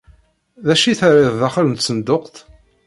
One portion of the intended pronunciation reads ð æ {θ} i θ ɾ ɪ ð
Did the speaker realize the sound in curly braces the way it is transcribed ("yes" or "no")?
no